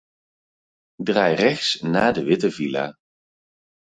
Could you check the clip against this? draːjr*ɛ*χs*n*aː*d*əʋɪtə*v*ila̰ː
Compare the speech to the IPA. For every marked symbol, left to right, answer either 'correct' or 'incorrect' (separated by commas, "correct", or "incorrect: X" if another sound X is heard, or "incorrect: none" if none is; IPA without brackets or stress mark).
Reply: correct, correct, correct, correct